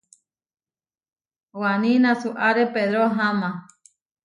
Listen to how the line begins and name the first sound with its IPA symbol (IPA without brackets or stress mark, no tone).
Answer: w